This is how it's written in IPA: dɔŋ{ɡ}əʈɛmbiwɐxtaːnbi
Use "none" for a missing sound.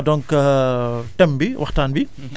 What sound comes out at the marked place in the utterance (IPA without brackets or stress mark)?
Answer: k